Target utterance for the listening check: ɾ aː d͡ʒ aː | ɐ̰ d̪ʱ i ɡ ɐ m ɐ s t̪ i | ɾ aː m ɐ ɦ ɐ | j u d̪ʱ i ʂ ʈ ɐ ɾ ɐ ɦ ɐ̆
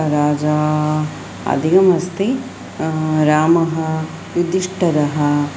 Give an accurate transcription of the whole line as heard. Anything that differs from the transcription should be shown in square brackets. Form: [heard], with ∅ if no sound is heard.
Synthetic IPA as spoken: ɾ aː d͡ʒ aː | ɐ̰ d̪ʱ i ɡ ɐ m ɐ s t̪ i | ɾ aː m ɐ ɦ ɐ | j u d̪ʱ i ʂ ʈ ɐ ɾ ɐ ɦ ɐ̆

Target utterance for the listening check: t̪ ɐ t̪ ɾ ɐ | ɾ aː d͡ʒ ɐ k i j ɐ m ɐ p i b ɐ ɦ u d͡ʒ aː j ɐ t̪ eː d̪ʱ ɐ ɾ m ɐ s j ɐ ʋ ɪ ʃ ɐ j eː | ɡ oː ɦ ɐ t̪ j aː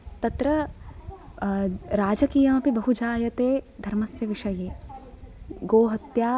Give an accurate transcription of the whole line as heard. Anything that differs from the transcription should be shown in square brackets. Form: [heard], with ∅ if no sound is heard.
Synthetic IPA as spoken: t̪ ɐ t̪ ɾ ɐ | ɾ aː d͡ʒ ɐ k i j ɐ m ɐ p i b ɐ ɦ u d͡ʒ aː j ɐ t̪ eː d̪ʱ ɐ ɾ m ɐ s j ɐ ʋ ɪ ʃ ɐ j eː | ɡ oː ɦ ɐ t̪ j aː

